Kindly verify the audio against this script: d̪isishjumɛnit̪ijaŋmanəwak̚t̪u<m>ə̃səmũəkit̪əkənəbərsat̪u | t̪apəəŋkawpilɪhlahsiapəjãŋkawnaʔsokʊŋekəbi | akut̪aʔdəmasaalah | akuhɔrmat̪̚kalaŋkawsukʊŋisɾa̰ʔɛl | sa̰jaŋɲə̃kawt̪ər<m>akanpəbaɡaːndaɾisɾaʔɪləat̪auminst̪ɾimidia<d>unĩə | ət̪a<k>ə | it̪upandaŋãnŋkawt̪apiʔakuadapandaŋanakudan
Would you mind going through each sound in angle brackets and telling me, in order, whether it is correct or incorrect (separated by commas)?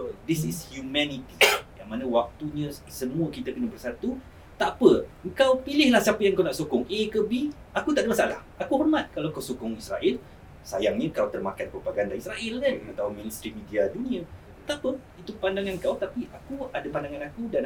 incorrect, correct, correct, incorrect